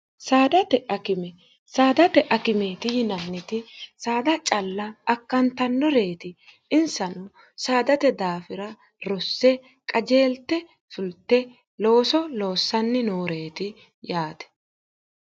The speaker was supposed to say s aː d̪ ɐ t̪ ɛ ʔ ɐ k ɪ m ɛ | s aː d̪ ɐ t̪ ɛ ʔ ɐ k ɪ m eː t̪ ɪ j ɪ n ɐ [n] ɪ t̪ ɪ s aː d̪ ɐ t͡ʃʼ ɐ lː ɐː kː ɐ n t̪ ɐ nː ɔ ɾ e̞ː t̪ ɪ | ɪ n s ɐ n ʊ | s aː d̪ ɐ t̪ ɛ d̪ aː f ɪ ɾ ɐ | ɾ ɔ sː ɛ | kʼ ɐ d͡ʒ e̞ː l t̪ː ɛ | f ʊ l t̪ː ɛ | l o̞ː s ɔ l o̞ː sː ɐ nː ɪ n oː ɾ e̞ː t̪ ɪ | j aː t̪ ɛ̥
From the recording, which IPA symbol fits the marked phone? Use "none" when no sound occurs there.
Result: nː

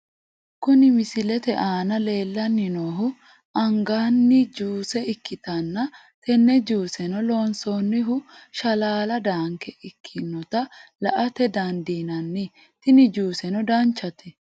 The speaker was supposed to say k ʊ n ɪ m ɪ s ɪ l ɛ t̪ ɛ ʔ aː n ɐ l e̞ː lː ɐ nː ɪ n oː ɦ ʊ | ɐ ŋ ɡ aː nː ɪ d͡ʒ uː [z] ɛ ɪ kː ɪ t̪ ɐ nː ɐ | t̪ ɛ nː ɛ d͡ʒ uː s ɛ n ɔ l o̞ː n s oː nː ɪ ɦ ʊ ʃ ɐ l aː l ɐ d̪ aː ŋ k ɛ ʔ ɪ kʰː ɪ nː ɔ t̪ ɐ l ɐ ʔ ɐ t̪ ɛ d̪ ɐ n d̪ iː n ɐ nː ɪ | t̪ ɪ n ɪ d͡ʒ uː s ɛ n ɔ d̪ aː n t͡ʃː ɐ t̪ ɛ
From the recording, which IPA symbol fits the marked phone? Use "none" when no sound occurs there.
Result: s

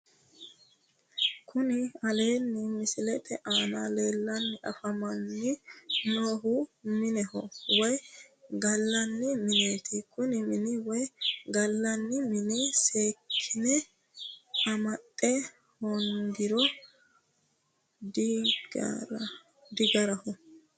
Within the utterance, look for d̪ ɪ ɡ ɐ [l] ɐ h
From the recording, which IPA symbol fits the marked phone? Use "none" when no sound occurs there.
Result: ɾ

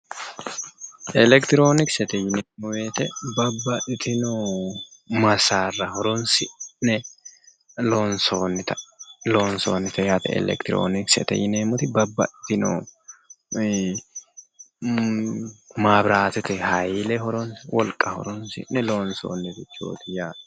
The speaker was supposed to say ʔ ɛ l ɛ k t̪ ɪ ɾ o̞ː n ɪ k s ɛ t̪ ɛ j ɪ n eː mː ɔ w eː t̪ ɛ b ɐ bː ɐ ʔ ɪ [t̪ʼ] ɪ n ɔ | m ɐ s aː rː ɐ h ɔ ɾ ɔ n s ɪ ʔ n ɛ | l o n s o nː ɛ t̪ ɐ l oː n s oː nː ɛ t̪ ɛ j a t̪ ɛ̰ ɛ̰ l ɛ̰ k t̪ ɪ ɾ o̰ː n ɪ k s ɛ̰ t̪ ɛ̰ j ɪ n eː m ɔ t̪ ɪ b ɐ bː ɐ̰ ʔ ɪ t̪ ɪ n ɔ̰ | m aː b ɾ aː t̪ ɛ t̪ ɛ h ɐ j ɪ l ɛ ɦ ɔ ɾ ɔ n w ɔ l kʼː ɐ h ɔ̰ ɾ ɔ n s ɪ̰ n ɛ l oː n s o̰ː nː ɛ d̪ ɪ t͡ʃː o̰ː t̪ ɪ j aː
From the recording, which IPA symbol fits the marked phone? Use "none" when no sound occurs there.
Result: t̪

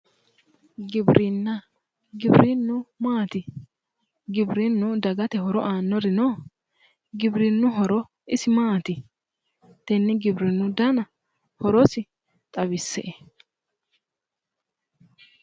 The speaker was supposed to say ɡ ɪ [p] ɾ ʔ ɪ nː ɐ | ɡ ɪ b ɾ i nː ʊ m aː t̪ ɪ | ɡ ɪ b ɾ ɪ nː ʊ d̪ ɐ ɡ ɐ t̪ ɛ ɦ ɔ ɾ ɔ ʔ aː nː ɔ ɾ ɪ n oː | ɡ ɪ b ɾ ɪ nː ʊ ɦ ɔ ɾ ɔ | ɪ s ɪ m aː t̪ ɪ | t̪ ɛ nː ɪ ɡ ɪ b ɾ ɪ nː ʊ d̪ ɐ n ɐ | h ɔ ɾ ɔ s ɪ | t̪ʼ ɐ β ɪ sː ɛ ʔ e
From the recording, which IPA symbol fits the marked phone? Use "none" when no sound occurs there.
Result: b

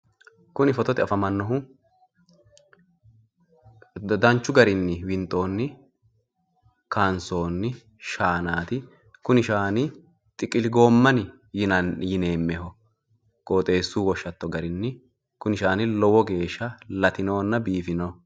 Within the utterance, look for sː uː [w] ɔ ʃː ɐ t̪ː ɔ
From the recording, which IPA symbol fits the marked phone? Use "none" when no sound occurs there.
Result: w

